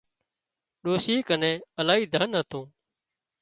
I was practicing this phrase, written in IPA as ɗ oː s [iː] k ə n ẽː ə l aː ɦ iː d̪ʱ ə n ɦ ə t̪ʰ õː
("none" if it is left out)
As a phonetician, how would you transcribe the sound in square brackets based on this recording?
iː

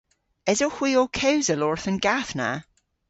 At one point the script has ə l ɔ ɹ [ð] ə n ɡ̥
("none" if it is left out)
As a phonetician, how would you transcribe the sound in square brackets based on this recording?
θ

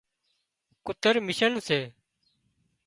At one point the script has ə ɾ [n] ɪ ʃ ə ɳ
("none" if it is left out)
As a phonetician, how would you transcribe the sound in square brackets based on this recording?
m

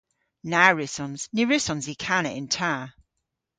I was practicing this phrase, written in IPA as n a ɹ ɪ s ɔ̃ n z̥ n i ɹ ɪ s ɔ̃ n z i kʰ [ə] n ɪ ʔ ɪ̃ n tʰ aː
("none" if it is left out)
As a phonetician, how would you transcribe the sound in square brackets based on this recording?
a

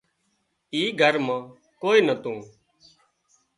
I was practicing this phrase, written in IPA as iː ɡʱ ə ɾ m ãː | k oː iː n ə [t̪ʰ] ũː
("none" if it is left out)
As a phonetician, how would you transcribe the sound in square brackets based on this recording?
t̪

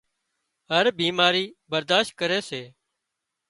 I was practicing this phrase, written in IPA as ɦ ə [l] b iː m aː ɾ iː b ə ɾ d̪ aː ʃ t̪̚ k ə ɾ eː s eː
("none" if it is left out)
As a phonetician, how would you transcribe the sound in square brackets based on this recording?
ɾ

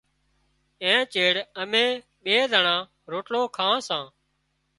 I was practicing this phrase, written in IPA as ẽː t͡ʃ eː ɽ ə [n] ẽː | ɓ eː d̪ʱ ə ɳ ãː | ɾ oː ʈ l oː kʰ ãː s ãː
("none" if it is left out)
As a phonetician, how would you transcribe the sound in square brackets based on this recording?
m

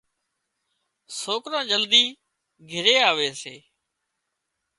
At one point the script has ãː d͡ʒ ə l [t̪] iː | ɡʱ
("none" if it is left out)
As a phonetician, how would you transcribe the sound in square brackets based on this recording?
d̪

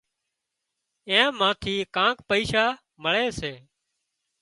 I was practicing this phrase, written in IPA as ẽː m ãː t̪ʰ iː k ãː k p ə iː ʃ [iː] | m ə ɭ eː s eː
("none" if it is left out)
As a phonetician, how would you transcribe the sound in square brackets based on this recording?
aː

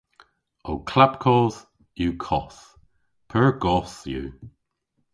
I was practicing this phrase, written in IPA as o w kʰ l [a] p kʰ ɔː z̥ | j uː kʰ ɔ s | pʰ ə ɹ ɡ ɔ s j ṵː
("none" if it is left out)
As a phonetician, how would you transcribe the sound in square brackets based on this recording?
a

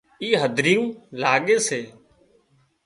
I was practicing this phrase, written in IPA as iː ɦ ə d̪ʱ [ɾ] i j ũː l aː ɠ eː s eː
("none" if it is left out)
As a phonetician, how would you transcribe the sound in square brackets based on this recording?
ɾ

